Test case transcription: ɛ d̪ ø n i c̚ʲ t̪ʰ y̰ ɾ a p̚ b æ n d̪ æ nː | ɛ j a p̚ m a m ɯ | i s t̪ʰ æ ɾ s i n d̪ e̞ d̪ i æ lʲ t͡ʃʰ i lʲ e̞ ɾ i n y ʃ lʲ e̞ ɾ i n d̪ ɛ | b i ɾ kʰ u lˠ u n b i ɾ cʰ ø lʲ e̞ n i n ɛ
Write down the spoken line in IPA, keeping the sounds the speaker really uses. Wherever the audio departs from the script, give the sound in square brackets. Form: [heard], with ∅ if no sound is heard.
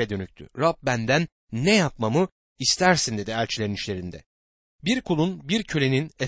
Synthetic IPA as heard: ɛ d̪ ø n [y] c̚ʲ t̪ʰ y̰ ɾ a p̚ b æ n d̪ æ nː | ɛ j a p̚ m a m ɯ | i s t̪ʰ æ ɾ s i n d̪ e̞ d̪ i æ lʲ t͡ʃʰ i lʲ e̞ ɾ i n [i] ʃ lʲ e̞ ɾ i n d̪ ɛ | b i ɾ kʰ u lˠ u n b i ɾ cʰ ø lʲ e̞ n i n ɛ